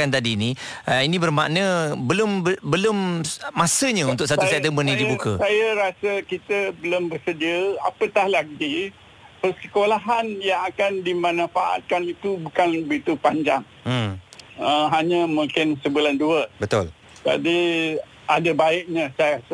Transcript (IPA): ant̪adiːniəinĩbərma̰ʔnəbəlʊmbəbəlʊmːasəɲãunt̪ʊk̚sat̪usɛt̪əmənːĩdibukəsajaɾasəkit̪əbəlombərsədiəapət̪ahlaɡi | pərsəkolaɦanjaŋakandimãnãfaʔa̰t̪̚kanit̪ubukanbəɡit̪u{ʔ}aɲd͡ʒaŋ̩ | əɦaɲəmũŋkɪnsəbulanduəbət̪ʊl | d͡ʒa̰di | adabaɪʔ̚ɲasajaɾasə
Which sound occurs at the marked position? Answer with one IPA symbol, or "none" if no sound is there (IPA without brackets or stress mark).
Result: p